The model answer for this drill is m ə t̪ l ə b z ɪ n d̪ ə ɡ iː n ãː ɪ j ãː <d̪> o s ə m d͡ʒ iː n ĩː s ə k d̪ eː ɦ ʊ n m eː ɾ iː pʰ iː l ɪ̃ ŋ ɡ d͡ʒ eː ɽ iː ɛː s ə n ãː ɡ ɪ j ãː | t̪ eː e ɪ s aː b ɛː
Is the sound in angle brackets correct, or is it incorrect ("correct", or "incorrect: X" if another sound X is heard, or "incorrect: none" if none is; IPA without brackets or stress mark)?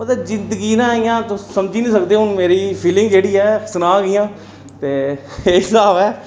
incorrect: t̪